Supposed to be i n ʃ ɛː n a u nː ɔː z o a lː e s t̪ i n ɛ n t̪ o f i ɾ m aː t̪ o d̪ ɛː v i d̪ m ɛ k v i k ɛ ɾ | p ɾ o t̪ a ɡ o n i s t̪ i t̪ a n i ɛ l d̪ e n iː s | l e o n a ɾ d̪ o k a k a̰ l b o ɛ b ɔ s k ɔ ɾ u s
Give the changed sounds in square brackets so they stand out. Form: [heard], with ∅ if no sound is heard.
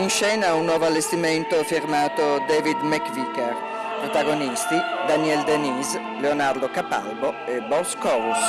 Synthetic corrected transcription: i n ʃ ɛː n a u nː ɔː [v] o a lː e s t̪ i [m] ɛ n t̪ o f i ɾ m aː t̪ o d̪ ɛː v i d̪ m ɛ k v i k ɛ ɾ | p ɾ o t̪ a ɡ o n i s t̪ i [d̪] a n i ɛ l d̪ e n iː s | l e o n a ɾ d̪ o k a [p] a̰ l b o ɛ b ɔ s k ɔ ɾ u s